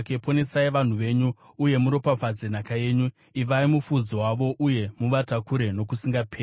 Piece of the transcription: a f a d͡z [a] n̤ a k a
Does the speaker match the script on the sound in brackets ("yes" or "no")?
no